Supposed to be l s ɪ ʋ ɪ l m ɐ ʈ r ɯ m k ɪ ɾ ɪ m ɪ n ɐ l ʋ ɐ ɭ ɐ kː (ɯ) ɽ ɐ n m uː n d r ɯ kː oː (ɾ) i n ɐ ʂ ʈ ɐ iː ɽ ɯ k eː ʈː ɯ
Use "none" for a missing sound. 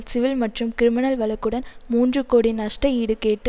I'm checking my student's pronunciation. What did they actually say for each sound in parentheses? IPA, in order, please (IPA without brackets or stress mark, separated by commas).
ɯ, ɽ